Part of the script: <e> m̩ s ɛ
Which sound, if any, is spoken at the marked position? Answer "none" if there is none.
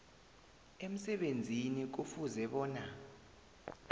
e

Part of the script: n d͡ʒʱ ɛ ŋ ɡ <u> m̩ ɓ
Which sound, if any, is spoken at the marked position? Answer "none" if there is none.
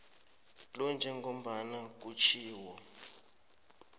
o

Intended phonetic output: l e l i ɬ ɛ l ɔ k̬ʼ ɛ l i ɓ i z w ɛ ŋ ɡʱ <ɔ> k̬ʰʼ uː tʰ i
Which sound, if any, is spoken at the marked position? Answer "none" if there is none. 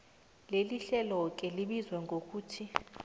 o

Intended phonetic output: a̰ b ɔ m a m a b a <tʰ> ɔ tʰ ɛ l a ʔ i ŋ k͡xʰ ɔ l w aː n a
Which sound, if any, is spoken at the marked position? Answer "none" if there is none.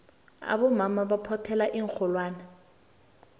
pʰ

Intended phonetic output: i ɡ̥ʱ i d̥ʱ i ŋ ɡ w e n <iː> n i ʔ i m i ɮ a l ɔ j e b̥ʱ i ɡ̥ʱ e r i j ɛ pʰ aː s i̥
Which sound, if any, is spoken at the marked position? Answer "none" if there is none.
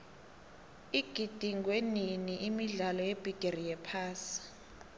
i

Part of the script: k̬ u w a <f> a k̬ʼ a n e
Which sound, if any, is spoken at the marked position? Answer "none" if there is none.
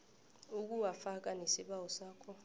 f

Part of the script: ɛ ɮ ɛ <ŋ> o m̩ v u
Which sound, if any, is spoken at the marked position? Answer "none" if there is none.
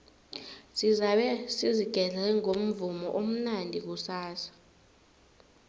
ŋ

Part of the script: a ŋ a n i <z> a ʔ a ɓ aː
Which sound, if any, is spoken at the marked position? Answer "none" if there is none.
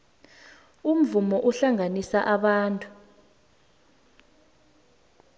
s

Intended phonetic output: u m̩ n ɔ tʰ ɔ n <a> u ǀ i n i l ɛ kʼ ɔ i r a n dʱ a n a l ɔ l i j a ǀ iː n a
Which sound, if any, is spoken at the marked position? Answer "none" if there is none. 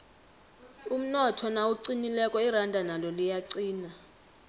a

